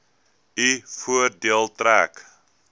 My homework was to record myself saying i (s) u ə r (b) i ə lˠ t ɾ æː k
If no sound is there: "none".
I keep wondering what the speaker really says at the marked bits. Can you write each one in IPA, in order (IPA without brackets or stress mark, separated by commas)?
f, d